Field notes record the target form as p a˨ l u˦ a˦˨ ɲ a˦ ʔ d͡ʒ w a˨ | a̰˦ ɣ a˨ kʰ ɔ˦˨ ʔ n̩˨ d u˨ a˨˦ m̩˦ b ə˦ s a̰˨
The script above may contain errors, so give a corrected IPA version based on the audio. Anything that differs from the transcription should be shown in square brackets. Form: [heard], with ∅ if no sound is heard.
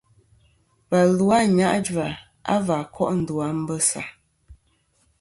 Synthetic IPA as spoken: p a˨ l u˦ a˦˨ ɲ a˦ ʔ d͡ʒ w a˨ | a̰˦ [v] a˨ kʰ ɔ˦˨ ʔ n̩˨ d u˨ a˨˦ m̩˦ b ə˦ s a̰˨